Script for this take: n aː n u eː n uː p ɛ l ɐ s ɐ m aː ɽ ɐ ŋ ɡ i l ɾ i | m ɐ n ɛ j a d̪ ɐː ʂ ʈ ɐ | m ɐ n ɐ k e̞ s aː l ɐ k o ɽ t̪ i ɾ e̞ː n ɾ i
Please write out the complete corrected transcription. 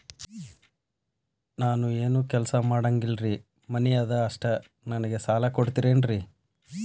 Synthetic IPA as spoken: n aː n u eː n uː k ɛ l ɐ s ɐ m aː ɽ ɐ ŋ ɡ i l ɾ i | m ɐ n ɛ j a d̪ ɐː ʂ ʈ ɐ | n ɐ n ɐ ɡ e̞ s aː l ɐ k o ɽ t̪ i ɾ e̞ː n ɾ i